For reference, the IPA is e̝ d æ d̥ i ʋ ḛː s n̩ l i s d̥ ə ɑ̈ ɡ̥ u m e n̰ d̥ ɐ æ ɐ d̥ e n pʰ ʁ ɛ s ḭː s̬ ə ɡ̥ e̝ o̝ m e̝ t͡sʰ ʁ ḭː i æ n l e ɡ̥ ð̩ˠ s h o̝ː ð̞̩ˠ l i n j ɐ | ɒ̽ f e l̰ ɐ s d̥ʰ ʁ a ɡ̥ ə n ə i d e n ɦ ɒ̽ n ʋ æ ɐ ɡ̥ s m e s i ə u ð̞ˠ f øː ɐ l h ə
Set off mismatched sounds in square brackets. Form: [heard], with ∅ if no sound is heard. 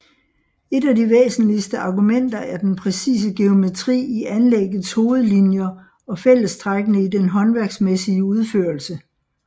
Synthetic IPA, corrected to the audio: e̝ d æ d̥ i ʋ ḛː s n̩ l i s d̥ ə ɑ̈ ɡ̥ u m e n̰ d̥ ɐ æ ɐ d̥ e n pʰ ʁ ɛ s ḭː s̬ ə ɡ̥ e̝ o̝ m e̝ t͡sʰ ʁ ḭː i æ n l e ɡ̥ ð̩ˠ s h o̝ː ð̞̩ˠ l i n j ɐ | ɒ̽ f e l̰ [ə] s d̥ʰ ʁ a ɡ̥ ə n ə i d e n ɦ ɒ̽ n ʋ æ ɐ ɡ̥ s m e s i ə u ð̞ˠ f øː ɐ l [s] ə